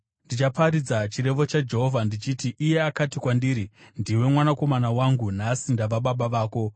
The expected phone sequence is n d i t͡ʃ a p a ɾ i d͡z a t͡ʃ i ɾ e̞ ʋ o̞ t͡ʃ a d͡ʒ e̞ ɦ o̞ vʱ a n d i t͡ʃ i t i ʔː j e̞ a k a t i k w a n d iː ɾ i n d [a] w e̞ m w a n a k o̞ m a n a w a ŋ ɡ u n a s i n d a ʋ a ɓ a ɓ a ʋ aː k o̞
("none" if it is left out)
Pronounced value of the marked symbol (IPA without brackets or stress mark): i